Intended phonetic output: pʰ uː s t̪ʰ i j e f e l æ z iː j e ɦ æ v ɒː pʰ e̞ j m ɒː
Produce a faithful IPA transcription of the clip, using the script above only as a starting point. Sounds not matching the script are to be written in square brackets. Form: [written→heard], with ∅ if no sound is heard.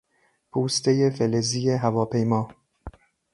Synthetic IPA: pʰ uː s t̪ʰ [i→e] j e f e l [æ→e] z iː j e ɦ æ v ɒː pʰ e̞ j m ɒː